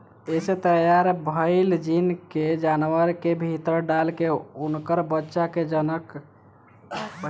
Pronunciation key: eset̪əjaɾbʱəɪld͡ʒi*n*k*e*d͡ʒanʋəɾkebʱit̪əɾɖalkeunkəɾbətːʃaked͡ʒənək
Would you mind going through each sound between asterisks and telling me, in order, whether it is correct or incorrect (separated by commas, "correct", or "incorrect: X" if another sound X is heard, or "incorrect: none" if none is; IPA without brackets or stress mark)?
correct, correct